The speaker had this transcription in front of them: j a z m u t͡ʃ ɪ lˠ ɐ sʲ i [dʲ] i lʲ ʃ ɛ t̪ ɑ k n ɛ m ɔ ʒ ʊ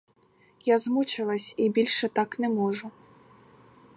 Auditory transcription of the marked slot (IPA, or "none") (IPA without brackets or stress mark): bʲ